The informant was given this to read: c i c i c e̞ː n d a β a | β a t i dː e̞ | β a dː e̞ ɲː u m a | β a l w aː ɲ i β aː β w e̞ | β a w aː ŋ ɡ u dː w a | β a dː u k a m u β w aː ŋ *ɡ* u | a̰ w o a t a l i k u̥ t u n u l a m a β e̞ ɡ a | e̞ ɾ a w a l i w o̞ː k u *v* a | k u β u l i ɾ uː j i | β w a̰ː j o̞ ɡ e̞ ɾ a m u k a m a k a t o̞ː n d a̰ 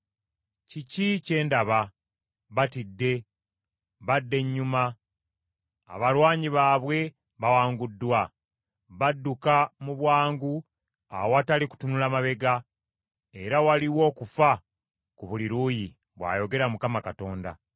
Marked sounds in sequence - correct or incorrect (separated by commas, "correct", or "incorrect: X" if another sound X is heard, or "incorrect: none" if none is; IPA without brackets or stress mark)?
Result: correct, incorrect: f